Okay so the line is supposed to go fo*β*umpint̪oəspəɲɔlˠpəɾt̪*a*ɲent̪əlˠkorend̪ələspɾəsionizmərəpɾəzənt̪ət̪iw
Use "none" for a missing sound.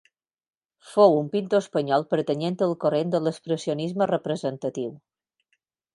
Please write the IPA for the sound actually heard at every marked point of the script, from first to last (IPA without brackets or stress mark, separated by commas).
w, ə